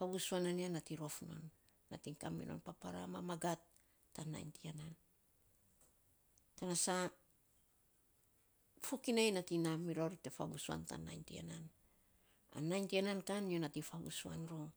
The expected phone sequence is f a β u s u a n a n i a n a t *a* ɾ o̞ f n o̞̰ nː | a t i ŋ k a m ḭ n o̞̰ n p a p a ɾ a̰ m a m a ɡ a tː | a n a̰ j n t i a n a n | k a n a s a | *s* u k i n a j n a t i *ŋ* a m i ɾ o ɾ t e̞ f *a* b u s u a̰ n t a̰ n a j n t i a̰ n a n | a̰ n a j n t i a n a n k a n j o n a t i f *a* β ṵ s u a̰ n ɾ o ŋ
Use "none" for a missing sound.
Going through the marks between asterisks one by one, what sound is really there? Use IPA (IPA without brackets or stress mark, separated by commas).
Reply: i, f, n, a, a